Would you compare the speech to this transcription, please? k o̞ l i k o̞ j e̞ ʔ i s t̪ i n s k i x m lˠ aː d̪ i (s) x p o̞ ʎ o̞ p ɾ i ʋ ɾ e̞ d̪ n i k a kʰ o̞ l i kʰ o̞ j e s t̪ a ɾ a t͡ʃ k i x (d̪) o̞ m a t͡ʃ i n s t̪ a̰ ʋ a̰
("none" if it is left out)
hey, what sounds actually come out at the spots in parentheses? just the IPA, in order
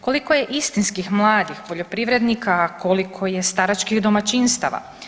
none, d̪

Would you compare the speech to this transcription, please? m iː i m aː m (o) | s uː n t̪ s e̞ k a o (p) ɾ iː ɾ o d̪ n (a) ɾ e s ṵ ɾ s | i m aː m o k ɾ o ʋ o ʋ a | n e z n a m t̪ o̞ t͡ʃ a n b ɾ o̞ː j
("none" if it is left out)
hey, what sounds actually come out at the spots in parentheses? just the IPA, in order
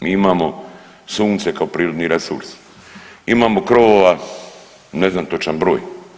o, p, i

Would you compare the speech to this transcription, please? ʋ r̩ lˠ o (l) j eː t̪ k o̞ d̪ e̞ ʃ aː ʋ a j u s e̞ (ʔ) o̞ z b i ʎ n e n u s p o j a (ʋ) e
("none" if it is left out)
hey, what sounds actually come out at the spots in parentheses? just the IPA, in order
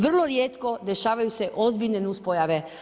ɾ, ʔ, ʋ

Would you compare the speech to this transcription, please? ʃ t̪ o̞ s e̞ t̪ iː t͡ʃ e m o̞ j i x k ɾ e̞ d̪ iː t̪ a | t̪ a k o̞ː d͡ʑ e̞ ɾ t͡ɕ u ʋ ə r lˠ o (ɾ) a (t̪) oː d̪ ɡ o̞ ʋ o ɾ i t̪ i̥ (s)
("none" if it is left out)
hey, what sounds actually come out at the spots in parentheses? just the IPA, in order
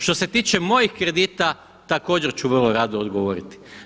ɾ, d̪, none

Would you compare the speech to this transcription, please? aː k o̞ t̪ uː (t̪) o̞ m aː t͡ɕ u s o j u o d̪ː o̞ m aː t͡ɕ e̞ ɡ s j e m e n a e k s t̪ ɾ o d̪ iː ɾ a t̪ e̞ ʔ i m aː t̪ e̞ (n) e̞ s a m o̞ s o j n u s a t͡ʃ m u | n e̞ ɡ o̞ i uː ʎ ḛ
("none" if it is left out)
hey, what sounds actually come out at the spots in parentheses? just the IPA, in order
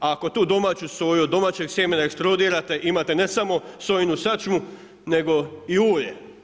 d̪, n

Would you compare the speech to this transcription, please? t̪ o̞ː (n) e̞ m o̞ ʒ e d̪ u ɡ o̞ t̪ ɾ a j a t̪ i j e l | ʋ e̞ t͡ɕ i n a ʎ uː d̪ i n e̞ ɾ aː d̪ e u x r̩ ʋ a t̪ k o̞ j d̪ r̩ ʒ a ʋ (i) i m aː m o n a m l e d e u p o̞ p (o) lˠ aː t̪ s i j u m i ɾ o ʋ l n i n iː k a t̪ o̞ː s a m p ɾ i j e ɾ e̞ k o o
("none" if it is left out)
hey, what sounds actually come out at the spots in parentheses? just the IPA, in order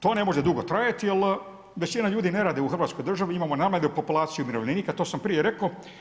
n, i, u

